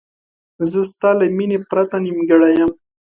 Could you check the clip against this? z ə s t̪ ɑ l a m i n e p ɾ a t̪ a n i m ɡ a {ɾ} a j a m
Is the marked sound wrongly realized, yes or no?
yes